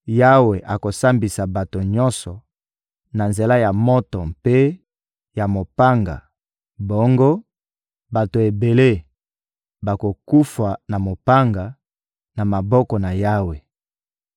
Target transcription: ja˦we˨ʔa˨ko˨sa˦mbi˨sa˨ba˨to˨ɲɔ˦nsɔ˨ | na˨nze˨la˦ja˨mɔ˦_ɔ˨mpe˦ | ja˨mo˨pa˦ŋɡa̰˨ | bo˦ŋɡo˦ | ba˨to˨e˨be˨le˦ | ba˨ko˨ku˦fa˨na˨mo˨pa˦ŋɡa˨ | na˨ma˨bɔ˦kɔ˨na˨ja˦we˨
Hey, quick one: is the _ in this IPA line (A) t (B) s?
A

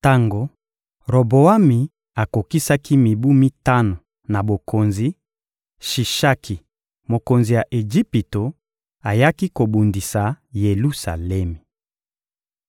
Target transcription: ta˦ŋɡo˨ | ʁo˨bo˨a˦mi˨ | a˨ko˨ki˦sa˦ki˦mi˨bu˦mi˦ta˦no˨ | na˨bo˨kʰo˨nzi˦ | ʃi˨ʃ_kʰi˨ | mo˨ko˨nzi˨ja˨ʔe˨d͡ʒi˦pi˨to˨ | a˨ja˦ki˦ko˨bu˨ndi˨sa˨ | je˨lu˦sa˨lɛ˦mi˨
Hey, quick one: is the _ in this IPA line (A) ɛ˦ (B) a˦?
B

